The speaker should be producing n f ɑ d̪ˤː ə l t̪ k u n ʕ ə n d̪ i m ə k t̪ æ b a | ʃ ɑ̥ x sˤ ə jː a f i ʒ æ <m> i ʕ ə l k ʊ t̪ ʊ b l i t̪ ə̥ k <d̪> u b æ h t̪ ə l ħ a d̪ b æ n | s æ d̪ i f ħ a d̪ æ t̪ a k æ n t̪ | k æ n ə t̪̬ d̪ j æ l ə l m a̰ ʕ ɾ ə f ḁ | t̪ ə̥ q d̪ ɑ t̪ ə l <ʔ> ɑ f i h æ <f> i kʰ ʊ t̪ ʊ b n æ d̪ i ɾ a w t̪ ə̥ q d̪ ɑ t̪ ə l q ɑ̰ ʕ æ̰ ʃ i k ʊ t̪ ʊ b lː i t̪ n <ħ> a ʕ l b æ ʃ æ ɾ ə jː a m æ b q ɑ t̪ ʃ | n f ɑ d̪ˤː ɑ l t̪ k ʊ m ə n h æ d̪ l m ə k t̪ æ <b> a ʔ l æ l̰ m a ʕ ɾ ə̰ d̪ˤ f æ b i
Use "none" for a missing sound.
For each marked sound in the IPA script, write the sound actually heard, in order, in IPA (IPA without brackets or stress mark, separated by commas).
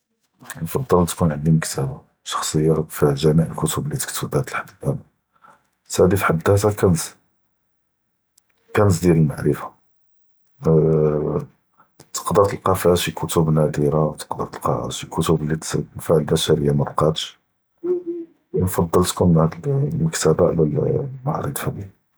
m, t̪, q, ʃ, f, b